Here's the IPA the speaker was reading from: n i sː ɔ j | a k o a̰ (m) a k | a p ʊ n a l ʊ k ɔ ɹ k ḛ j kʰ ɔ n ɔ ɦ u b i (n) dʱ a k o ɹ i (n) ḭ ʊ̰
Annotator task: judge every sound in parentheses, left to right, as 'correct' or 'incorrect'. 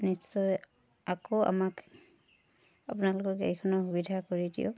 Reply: correct, incorrect: none, incorrect: d

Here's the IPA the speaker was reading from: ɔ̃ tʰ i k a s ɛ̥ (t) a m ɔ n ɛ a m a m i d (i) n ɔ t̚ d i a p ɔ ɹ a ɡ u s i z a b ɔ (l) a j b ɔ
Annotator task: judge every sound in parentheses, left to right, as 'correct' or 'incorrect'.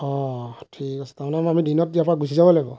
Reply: correct, correct, correct

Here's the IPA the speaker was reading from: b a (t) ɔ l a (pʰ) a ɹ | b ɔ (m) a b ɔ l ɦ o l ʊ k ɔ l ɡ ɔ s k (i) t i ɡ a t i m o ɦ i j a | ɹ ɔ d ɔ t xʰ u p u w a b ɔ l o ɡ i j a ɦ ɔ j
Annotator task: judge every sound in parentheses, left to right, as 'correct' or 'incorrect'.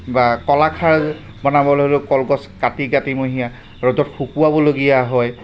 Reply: incorrect: k, incorrect: kʰ, incorrect: n, incorrect: a

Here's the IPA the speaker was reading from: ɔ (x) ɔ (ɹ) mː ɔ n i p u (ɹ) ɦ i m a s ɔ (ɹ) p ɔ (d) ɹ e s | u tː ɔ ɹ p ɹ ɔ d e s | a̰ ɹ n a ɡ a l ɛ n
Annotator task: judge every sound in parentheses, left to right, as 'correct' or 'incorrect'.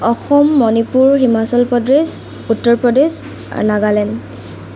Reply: correct, incorrect: none, correct, incorrect: l, correct

